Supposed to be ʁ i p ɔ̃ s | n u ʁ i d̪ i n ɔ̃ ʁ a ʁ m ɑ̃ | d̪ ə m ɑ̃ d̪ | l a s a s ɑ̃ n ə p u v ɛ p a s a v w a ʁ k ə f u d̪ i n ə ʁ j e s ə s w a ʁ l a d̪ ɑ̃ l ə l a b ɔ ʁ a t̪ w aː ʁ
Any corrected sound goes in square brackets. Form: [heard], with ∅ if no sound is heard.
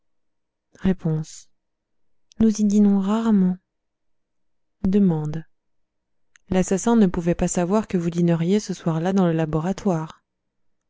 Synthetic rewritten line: ʁ [e] p ɔ̃ s | n u [z] i d̪ i n ɔ̃ ʁ a ʁ m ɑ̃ | d̪ ə m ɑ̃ d̪ | l a s a s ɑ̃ n ə p u v ɛ p a s a v w a ʁ k ə [v] u d̪ i n ə ʁ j e s ə s w a ʁ l a d̪ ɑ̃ l ə l a b ɔ ʁ a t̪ w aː ʁ

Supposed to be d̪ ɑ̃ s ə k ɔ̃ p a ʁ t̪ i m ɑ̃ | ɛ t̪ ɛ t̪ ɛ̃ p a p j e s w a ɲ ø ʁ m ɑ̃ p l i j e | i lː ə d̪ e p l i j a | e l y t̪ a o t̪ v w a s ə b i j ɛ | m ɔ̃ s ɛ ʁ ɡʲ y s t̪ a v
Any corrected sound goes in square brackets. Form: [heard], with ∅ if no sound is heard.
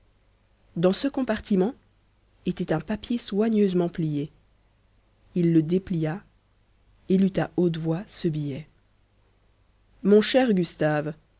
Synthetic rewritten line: d̪ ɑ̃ s ə k ɔ̃ p a ʁ t̪ i m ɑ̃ | [e] t̪ ɛ t̪ ɛ̃ p a p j e s w a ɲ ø [z] m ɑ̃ p l i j e | i lː ə d̪ e p l i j a | e l y t̪ a o t̪ v w a s ə b i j ɛ | m ɔ̃ [ʃ] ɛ ʁ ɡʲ y s t̪ a v

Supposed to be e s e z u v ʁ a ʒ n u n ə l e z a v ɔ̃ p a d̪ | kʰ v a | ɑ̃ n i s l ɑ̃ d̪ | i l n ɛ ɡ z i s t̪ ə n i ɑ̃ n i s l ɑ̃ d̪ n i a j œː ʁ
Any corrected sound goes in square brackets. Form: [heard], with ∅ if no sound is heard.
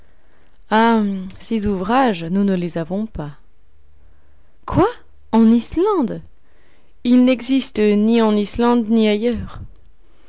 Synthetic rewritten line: [a] s e z u v ʁ a ʒ n u n ə l e z a v ɔ̃ p a [∅] | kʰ [w] a | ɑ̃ n i s l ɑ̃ d̪ | i l n ɛ ɡ z i s t̪ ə n i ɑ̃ n i s l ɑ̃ d̪ n i a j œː ʁ

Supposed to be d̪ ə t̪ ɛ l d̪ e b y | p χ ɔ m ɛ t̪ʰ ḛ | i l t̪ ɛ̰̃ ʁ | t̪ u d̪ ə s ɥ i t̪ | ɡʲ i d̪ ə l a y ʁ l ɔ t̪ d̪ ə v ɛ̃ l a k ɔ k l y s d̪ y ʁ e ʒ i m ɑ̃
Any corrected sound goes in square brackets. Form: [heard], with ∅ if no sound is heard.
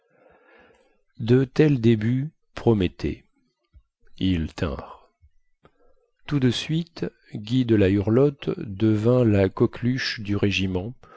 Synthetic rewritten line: d̪ ə t̪ ɛ l d̪ e b y | p χ ɔ m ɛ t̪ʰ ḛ | i l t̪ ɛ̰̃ ʁ | t̪ u d̪ ə s ɥ i t̪ | ɡʲ i d̪ ə l a y ʁ l ɔ t̪ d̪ ə v ɛ̃ l a k ɔ k l y [ʃ] d̪ y ʁ e ʒ i m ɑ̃

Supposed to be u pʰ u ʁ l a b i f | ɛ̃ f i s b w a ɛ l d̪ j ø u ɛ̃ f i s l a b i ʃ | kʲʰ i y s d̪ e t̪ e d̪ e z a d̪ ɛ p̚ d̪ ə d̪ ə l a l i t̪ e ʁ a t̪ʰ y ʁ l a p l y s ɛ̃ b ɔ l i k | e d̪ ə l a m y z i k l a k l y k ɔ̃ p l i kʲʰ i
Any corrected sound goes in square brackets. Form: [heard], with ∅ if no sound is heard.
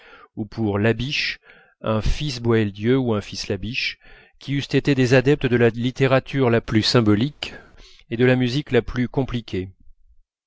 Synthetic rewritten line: u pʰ u ʁ l a b i [ʃ] | ɛ̃ f i s b w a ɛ l d̪ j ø u ɛ̃ f i s l a b i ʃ | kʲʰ i y s [t̪] e t̪ e d̪ e z a d̪ ɛ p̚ [t̪] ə d̪ ə l a l i t̪ e ʁ a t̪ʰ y ʁ l a p l y s ɛ̃ b ɔ l i k | e d̪ ə l a m y z i k l a [p] l y k ɔ̃ p l i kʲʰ [e]

